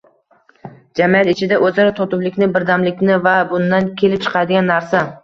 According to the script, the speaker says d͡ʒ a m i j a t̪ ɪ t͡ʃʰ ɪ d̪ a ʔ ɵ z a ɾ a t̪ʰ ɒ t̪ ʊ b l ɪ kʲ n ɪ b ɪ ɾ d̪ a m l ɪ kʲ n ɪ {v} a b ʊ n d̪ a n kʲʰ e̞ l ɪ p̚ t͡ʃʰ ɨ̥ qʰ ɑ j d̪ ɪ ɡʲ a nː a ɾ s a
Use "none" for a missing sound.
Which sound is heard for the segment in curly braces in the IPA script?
v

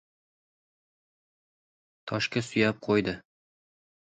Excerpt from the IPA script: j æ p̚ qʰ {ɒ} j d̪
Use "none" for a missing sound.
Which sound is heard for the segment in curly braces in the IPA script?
o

